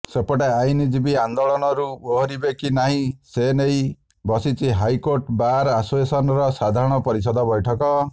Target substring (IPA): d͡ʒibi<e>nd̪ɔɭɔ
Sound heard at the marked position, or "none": a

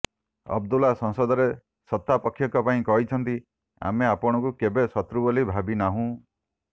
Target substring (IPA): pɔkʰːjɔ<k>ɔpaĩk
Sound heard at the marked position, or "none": k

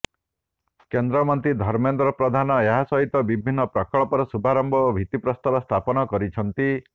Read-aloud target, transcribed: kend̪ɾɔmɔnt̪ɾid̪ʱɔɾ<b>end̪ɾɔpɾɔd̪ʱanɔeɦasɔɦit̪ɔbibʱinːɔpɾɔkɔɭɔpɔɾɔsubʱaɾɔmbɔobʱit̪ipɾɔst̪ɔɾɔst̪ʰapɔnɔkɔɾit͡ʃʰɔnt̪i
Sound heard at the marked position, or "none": m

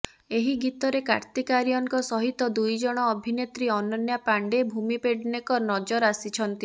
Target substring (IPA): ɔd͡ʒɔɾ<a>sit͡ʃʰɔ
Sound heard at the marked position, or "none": a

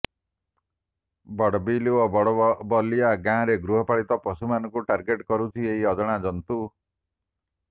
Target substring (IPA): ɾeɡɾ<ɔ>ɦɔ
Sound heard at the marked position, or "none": u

